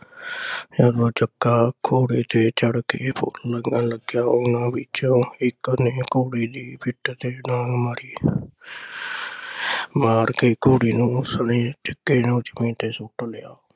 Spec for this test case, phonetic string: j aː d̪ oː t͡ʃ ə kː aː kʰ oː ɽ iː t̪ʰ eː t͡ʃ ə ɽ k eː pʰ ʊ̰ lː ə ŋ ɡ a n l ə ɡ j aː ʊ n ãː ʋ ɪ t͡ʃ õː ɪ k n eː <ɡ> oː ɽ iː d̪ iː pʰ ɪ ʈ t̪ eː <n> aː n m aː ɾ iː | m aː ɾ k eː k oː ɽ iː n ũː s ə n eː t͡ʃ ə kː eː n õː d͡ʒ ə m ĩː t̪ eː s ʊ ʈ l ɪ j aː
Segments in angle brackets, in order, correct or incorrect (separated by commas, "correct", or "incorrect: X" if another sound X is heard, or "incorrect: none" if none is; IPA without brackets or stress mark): incorrect: k, correct